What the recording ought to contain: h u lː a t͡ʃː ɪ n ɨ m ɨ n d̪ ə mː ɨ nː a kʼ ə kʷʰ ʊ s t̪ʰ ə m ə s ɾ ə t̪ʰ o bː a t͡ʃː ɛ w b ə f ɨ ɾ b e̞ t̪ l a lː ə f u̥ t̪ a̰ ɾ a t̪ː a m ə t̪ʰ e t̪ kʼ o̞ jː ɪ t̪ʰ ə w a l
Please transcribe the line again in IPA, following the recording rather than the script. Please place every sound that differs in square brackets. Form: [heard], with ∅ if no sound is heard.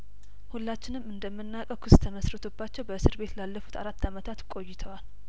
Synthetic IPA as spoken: h u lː a t͡ʃː ɪ n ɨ m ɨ n d̪ ə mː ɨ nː a kʼ ə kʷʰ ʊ s t̪ʰ ə m ə s ɾ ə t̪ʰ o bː a t͡ʃː ɛ w b ə [s] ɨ ɾ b e̞ t̪ l a lː ə f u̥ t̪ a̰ ɾ a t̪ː a m ə t̪ʰ [a] t̪ kʼ o̞ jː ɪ t̪ʰ ə w a l